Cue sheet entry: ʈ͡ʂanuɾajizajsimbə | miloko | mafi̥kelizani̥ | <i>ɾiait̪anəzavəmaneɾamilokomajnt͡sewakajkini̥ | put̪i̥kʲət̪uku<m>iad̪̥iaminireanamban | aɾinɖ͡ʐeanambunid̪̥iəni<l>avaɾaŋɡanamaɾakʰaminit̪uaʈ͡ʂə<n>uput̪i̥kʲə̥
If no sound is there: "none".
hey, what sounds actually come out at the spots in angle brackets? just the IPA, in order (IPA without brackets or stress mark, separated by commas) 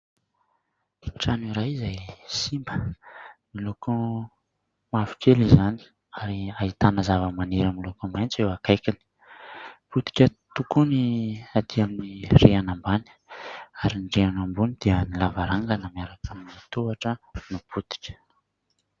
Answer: a, n, l, n